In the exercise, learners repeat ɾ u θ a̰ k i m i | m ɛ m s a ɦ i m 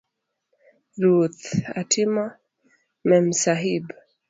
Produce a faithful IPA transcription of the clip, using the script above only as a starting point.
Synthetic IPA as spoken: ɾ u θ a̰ t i m a | m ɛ m s a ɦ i b